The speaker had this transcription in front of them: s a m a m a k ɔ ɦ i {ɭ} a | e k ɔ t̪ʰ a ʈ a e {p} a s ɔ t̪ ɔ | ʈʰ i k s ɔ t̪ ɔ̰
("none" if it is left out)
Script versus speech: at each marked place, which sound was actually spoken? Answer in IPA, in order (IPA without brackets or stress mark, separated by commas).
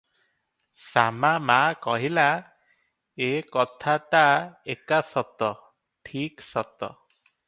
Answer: l, k